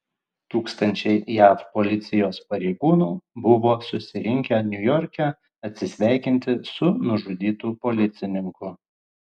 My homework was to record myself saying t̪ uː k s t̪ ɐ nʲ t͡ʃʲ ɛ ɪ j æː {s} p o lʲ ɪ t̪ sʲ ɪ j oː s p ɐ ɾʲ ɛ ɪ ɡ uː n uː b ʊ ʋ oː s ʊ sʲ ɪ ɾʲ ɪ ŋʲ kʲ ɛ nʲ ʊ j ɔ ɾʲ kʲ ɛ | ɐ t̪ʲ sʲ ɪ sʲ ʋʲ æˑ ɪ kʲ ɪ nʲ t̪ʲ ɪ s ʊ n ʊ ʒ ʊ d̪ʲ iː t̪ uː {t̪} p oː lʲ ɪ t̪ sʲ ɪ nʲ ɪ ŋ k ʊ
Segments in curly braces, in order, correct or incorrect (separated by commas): incorrect, incorrect